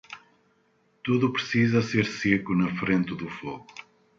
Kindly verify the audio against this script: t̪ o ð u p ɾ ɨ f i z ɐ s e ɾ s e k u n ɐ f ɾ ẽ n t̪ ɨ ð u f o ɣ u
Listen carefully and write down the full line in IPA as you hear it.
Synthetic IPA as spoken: t̪ u ð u p ɾ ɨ s i z ɐ s e ɾ s e k u n ɐ f ɾ ẽ n t̪ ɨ ð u f o ɣ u